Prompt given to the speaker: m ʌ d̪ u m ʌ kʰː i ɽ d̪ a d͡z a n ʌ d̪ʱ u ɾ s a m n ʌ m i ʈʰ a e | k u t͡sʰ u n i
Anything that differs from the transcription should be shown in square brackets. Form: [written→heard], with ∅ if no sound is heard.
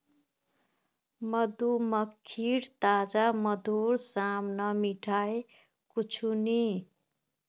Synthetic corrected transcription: m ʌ d̪ u m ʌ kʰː i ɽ [d̪→t̪] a d͡z a [n→m] ʌ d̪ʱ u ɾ s a m n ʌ m i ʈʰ a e | k u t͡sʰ u n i

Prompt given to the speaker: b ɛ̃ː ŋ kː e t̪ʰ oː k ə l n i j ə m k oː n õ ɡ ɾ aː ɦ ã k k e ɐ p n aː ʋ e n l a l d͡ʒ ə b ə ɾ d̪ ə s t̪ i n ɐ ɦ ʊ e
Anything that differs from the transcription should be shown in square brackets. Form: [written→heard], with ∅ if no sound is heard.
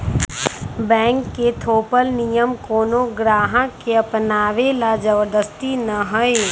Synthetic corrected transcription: b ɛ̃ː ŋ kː e t̪ʰ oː [k→p] ə l n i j ə m k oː n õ ɡ ɾ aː ɦ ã k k e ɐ p n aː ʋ e [n→∅] l a [l→∅] d͡ʒ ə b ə ɾ d̪ ə s t̪ i n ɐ ɦ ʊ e

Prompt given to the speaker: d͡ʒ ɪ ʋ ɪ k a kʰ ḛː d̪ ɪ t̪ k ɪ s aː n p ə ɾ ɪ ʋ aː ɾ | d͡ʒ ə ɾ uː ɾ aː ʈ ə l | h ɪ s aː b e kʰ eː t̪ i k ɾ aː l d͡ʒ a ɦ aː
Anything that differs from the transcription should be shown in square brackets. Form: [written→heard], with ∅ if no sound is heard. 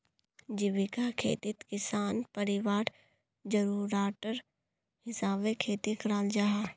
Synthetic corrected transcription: d͡ʒ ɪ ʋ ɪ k a kʰ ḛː [d̪→t̪] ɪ t̪ k ɪ s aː n p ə ɾ ɪ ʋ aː ɾ | d͡ʒ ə ɾ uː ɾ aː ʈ ə [l→ɾ] | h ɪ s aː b e kʰ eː t̪ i k ɾ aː l d͡ʒ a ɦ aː

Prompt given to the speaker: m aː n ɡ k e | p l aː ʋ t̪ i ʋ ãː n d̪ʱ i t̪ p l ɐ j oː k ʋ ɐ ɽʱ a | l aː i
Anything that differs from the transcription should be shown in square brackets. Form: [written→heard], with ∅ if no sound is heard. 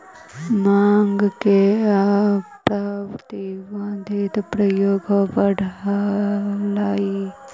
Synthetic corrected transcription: m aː [n→ŋ] ɡ k e | p [l→ɾ] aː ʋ t̪ i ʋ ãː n d̪ʱ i t̪ p [l→ɾ] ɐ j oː [k→ɡ] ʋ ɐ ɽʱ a | l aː i

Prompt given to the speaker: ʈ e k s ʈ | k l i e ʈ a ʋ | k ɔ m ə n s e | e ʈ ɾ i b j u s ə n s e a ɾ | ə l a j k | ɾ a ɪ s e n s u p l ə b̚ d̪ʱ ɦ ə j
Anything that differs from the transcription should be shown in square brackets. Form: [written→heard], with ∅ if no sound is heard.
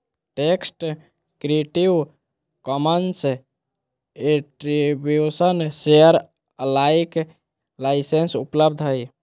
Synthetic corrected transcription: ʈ e k s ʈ | k [l→ɾ] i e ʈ [a→i] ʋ | k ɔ m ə n s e | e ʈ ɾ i b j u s ə n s e [a→ə] ɾ | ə l a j k | [ɾ→l] a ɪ s e n s u p l ə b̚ d̪ʱ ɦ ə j

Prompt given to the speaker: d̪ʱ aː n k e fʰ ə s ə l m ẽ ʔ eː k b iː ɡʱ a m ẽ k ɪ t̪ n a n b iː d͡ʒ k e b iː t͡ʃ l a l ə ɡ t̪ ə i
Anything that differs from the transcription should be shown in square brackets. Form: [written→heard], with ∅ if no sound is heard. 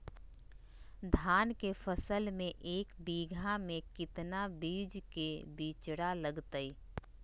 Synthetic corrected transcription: d̪ʱ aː n k e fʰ ə s ə l m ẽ ʔ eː k b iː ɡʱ a m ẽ k ɪ t̪ n a [n→∅] b iː d͡ʒ k e b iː t͡ʃ [l→ɽ] a l ə ɡ t̪ ə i

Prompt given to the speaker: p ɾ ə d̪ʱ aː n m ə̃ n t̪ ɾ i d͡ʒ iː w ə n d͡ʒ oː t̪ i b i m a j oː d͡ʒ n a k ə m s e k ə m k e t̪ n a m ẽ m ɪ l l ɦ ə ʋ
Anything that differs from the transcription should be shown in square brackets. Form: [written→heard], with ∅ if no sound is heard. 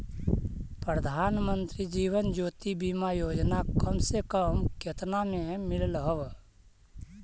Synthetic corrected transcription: p ɾ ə d̪ʱ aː n m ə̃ n t̪ ɾ i d͡ʒ iː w ə n d͡ʒ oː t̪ i b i m a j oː d͡ʒ n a k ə m s e k ə m k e t̪ n a m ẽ m ɪ l l ɦ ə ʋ

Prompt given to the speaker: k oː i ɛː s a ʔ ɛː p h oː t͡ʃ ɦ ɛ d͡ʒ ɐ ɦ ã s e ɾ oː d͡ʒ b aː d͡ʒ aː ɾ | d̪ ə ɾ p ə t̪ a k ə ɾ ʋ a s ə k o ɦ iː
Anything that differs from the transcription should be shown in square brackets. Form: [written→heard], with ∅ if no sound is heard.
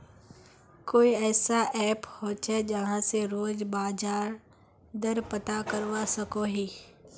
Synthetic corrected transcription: k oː i ɛː s a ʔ ɛː p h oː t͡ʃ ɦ ɛ d͡ʒ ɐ ɦ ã s e ɾ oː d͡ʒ b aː d͡ʒ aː ɾ | d̪ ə ɾ p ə t̪ a k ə ɾ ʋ a s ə k o ɦ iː

